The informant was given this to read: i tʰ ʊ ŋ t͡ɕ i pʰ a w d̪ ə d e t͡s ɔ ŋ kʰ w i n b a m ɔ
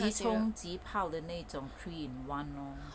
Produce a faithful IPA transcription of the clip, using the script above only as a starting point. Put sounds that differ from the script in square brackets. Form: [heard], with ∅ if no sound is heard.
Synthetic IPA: i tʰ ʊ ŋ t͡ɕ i pʰ a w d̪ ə [n] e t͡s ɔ ŋ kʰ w i n [w] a [n] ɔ